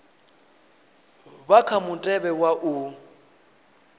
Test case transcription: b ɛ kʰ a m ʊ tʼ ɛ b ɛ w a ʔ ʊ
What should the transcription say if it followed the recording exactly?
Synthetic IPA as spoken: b a kʰ a m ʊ tʼ ɛ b ɛ w a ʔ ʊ

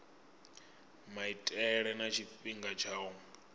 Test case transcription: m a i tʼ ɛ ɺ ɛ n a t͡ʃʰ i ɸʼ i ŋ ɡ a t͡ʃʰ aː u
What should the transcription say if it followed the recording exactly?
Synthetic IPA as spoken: m a i tʼ ɛ ɺ ɛ n a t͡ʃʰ i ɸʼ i ŋ ɡ a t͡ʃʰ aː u

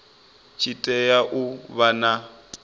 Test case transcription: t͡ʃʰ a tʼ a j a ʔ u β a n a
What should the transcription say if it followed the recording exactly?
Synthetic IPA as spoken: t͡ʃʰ i tʼ ɛ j a ʔ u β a n a

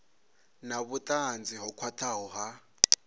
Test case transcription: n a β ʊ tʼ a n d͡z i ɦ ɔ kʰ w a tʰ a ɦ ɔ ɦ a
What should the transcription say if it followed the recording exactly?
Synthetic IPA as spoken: n a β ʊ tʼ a n d͡z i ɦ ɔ kʰ w a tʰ a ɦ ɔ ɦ a

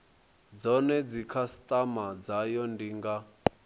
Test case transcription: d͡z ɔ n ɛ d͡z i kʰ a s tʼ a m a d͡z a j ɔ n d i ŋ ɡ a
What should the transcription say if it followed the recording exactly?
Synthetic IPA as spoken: d͡z ɔ n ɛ d͡z i kʰ a s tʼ a m a d͡z a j ɔ n d i ŋ ɡ a

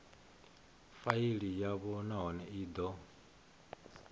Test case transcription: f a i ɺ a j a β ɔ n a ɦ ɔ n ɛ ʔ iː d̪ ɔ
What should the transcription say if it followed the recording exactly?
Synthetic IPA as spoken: f a i ɺ i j a β ɔ n a ɦ ɔ n ɛ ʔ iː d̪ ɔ

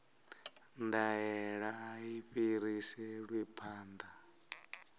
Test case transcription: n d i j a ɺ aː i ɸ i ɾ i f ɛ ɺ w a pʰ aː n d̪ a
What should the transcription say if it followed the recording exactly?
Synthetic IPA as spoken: n d a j ɛ ɺ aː i ɸ i ɾ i s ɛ ɺ w i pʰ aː n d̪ a

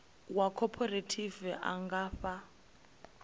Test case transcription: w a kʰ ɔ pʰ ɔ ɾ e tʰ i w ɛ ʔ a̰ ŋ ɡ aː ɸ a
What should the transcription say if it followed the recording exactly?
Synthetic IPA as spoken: w a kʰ ɔ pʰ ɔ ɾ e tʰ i v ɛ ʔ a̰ ŋ ɡ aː ɸ a

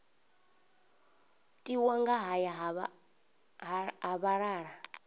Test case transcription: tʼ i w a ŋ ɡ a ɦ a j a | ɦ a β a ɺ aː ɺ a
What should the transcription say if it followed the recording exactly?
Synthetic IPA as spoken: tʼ i w a ŋ ɡ a ɦ a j a | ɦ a β a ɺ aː ɺ a

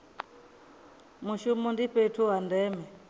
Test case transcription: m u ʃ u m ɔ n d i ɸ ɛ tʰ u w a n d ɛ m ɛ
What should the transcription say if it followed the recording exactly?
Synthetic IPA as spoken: m u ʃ u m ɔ n d i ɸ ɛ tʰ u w a n d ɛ m ɛ

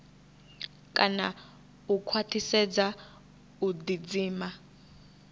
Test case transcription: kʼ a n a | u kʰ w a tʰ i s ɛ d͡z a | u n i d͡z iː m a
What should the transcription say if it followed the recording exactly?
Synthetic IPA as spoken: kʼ a n a | u kʰ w a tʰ i s ɛ d͡z a | u d i d͡z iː m a

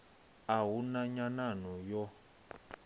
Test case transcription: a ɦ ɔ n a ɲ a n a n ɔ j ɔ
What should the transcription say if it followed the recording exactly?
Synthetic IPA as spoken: a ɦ u n a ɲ a n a n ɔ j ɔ

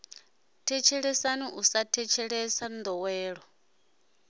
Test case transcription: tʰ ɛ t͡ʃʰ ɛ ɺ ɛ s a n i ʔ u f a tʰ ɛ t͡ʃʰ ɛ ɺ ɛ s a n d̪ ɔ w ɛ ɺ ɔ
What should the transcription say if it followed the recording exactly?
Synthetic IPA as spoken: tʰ ɛ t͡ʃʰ ɛ ɺ ɛ s a n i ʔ u s a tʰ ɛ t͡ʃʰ ɛ ɺ ɛ s a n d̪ ɔ w ɛː ɺ ɔ

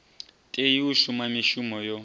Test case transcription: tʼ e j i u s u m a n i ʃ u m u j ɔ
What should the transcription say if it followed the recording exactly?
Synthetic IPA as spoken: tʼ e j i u ʃ u m a m i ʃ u m ɔ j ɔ

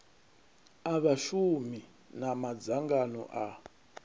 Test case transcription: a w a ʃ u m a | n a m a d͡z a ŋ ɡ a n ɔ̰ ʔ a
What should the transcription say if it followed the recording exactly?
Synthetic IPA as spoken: a β a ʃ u m i | n a m a d͡z a ŋ ɡ a n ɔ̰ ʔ a

